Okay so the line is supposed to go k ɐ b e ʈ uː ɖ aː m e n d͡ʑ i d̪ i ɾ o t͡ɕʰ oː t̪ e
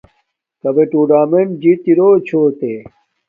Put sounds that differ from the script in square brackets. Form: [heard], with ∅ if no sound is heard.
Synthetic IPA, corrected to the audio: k ɐ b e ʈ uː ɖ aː m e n d͡ʑ i [t̪] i ɾ o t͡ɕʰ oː t̪ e